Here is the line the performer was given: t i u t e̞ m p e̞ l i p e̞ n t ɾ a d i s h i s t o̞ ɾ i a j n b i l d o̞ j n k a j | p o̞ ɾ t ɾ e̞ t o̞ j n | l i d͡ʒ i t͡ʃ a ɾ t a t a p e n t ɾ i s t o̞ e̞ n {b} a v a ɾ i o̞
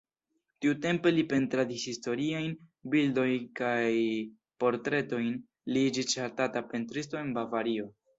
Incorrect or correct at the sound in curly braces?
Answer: correct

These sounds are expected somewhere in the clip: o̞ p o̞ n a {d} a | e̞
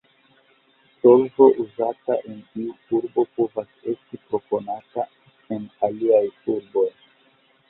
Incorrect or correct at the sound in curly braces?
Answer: incorrect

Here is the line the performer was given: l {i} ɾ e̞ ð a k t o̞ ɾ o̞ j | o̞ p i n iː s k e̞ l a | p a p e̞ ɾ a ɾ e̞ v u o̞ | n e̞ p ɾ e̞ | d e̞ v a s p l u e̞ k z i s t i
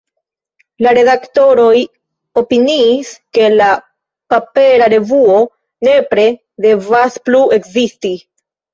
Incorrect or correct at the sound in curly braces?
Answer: incorrect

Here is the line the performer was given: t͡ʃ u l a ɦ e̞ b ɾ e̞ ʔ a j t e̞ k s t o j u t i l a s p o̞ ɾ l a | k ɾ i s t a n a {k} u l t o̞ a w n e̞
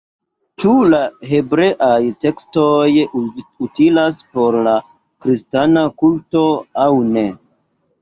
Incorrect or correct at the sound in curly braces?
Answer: correct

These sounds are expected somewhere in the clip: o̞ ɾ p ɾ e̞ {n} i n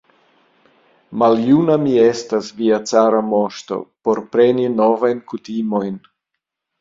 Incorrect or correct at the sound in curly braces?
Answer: correct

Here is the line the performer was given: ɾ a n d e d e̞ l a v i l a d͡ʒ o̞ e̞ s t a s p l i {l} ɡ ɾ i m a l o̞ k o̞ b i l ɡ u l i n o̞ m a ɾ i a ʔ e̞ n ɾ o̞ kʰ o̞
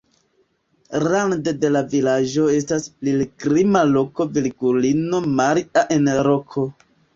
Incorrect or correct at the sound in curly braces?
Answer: correct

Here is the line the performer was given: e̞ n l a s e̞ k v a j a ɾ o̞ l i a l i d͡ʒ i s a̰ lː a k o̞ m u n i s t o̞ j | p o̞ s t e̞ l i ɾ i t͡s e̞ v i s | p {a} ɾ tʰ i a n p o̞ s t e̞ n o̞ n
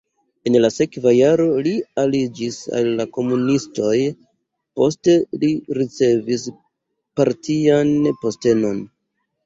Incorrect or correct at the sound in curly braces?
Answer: correct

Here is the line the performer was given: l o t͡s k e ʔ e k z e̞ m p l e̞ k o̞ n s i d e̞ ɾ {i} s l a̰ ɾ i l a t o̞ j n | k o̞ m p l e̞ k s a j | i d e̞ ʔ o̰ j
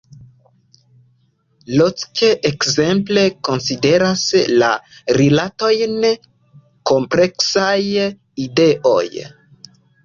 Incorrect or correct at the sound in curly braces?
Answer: incorrect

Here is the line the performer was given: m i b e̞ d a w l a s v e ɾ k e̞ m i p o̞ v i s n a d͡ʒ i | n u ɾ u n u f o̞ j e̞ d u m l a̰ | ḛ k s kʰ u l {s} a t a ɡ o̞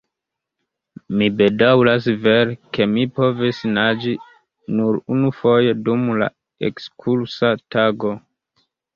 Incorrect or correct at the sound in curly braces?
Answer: correct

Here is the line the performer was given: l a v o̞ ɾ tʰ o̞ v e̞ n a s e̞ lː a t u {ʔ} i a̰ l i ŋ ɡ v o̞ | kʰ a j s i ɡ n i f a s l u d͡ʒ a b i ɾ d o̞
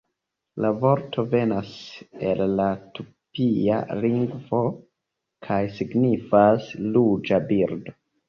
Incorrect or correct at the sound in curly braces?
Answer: incorrect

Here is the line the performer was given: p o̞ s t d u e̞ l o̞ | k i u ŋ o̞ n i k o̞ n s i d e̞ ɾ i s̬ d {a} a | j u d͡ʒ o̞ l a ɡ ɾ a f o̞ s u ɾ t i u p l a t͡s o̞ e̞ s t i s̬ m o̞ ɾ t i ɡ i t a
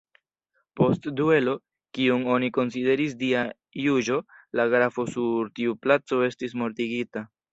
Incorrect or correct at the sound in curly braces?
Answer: incorrect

